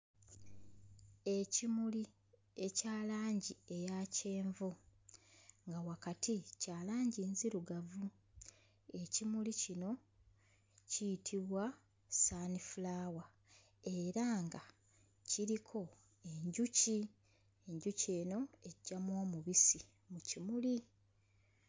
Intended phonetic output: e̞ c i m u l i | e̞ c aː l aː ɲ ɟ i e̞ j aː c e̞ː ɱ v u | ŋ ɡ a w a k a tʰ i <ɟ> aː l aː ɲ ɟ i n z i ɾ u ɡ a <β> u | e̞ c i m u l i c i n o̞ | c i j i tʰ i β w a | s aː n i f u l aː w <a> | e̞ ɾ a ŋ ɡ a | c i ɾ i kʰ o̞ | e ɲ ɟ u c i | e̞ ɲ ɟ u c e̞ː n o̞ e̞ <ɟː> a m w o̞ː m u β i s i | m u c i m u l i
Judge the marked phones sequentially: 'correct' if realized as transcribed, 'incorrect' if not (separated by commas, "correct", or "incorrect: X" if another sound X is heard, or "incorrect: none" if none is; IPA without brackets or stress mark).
incorrect: c, incorrect: v, correct, correct